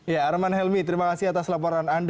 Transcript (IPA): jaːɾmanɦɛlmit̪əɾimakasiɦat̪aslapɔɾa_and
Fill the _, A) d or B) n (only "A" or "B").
B